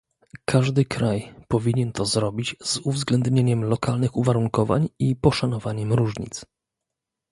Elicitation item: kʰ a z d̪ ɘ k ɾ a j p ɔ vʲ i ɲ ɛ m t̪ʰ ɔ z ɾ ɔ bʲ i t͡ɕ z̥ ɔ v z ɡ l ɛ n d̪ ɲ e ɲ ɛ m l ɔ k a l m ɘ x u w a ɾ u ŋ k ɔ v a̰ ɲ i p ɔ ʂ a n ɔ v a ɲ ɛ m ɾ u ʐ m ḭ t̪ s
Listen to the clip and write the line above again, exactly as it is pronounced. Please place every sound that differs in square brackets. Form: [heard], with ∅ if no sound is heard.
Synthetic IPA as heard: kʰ a [ʐ] d̪ ɘ k ɾ a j p ɔ vʲ i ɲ ɛ [n] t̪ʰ ɔ z ɾ ɔ bʲ i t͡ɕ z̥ [u] v z ɡ l ɛ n d̪ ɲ e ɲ ɛ m l ɔ k a l [n] ɘ x u [v] a ɾ u ŋ k ɔ v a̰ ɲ i p ɔ ʂ a n ɔ v a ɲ ɛ m ɾ u ʐ [ɲ] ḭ t̪ s